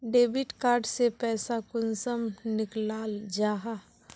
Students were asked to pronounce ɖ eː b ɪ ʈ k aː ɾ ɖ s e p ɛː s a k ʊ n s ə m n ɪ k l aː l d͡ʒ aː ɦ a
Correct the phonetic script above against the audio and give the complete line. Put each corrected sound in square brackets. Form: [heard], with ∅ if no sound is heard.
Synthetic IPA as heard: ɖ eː b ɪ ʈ k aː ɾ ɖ s e p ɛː s a k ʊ n s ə m n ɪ k l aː l d͡ʒ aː ɦ a